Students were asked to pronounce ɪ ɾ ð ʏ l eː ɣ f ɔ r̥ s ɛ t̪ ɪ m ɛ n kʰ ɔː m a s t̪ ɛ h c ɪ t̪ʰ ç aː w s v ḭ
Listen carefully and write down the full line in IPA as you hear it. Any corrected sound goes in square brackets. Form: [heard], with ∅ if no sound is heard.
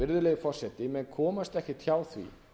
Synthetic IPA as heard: ɪ ɾ ð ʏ l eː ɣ f ɔ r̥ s ɛ t̪ ɪ m ɛ n kʰ ɔː m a s t̪ ɛ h c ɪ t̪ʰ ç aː w [θ] v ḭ